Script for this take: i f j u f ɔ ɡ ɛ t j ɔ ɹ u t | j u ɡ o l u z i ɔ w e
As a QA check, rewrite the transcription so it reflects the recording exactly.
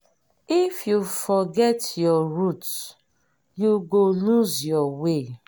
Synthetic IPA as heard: i f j u f ɔ ɡ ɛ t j ɔ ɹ u t | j u ɡ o l u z j ɔ w e